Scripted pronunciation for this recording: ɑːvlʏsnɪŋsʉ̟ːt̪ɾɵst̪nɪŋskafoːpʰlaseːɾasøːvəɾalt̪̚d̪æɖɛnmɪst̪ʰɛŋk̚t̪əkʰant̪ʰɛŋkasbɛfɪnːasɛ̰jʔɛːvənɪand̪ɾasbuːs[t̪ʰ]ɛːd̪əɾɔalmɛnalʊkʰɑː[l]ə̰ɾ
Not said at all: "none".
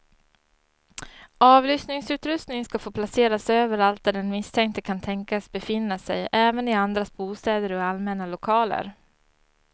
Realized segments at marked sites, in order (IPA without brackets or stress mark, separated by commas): t̪, l